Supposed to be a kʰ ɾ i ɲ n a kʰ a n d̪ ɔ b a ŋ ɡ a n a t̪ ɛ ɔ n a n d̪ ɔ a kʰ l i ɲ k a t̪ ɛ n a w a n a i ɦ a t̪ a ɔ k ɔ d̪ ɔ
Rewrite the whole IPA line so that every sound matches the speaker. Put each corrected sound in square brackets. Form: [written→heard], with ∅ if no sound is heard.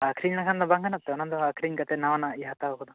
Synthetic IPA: a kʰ ɾ i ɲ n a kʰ a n d̪ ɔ b a ŋ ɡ a n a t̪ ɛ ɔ n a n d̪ ɔ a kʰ [l→ɾ] i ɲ k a t̪ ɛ n a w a n a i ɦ a t̪ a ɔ k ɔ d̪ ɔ